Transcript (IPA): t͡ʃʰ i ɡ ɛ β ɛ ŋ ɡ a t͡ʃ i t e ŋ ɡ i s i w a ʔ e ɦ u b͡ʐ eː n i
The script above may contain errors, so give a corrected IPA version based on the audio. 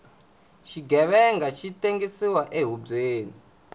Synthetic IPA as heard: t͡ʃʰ i ɡ ɛ β ɛ ŋ ɡ a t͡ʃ i t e ŋ ɡ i s i w a ʔ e ɦ u b͡ʐ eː n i